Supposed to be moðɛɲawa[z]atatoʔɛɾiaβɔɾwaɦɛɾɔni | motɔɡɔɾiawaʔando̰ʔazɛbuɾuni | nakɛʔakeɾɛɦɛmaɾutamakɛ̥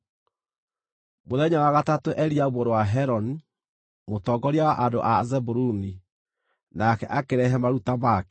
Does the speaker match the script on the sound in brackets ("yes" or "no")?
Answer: no